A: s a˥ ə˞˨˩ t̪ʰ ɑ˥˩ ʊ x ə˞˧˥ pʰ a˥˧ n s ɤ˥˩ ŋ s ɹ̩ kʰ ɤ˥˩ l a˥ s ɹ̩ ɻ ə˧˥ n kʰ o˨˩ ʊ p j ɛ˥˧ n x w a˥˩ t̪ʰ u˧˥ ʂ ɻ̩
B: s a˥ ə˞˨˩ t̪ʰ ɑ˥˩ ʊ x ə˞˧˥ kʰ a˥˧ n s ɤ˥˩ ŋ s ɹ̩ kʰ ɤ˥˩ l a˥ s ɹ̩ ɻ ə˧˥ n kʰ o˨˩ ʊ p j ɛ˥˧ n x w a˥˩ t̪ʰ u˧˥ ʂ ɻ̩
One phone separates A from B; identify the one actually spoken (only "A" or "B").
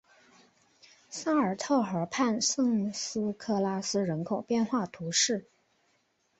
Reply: A